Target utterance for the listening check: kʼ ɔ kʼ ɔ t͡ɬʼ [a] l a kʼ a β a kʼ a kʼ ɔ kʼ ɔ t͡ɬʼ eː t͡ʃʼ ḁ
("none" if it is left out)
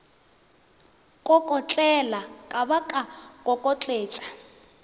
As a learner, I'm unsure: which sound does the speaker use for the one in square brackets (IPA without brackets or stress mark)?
ɛ